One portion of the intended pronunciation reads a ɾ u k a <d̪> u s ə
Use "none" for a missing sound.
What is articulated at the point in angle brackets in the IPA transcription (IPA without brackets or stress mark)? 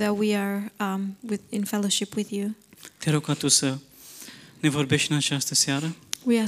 t̪